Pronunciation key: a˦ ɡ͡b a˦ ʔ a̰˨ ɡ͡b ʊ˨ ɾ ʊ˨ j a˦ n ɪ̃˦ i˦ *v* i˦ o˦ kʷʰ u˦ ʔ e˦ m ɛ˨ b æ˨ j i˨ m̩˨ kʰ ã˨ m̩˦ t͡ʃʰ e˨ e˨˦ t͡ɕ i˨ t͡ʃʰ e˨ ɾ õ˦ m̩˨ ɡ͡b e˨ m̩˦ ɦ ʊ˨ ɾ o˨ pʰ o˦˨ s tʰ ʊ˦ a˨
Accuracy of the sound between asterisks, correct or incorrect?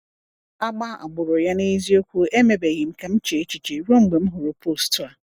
incorrect